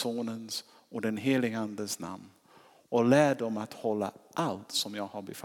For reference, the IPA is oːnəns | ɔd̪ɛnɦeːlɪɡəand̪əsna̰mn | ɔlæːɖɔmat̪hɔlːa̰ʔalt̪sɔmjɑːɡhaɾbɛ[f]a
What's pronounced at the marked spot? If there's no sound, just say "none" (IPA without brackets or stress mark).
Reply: f